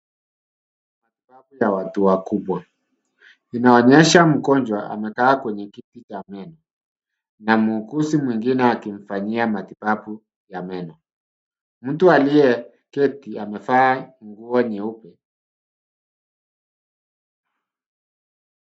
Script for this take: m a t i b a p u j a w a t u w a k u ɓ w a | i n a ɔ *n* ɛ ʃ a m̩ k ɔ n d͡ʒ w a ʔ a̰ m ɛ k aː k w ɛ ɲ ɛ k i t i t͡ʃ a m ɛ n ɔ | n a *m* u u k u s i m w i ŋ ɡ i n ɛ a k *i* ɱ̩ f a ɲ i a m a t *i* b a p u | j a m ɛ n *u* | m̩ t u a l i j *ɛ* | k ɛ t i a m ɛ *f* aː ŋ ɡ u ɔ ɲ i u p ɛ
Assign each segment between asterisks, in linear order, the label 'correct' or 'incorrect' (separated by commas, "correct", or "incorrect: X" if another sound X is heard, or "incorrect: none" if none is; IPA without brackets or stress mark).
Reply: incorrect: ɲ, correct, correct, correct, incorrect: ɔ, correct, correct